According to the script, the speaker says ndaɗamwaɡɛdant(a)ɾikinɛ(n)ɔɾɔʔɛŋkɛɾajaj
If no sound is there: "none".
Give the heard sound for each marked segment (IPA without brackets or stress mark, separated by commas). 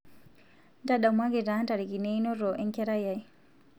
a, n